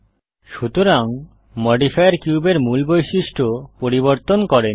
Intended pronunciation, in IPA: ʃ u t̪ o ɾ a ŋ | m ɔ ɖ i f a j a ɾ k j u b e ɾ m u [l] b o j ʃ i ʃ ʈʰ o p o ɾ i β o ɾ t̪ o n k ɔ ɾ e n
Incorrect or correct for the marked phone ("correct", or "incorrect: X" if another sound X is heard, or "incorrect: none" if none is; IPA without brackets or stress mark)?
correct